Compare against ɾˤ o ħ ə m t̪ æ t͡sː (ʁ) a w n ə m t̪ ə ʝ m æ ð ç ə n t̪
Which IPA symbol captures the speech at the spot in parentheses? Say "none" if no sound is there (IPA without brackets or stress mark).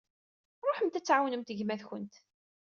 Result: ʕ